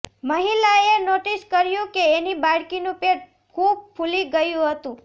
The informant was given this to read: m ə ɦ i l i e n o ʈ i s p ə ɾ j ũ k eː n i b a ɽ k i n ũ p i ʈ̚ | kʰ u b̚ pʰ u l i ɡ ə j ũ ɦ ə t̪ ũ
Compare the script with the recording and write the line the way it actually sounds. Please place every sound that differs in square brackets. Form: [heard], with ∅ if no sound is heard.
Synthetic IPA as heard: m ə ɦ i l [a] e n o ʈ i s [k] ə ɾ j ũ k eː n i b a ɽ k i n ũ p [e] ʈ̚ | kʰ u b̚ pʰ u l i ɡ ə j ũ ɦ ə t̪ ũ